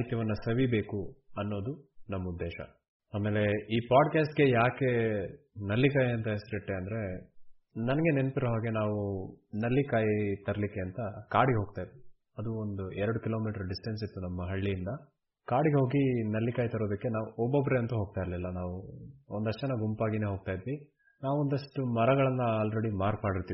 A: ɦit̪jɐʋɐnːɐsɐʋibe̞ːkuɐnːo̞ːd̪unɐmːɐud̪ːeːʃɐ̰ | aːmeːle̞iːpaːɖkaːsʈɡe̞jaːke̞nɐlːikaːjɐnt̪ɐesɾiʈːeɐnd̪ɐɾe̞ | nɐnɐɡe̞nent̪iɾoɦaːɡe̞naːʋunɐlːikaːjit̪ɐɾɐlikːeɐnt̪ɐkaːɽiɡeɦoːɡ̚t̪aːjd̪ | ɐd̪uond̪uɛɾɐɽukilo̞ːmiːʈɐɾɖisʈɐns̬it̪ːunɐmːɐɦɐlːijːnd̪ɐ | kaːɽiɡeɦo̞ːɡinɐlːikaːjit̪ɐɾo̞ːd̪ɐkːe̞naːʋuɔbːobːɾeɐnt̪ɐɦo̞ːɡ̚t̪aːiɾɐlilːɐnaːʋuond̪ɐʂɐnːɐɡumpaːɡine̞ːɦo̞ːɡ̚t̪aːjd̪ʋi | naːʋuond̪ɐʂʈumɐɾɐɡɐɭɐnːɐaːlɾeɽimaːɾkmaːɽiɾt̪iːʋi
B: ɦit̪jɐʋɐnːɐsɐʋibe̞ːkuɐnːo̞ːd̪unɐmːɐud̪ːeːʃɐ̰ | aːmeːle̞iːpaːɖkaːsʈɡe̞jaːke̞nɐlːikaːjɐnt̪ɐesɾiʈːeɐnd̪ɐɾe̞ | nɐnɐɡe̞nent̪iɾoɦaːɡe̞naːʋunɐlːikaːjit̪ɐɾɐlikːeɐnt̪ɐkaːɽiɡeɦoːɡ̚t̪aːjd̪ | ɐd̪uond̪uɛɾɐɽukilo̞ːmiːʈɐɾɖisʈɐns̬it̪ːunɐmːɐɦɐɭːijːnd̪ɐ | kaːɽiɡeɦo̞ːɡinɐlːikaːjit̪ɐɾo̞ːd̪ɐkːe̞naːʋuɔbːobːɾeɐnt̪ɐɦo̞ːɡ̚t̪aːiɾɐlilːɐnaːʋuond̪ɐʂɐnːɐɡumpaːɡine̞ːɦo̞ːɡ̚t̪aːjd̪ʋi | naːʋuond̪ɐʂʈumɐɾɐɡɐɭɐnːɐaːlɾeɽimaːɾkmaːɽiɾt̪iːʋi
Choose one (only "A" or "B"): B